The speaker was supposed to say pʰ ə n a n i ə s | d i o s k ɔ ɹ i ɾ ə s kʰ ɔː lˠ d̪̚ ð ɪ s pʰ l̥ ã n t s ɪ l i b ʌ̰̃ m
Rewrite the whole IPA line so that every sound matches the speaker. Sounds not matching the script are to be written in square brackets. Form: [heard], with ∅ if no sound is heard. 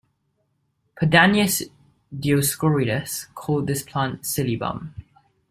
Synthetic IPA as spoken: pʰ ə [d] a n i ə s | d i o s k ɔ ɹ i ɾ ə s kʰ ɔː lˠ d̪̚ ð ɪ s pʰ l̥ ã n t s ɪ l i b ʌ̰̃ m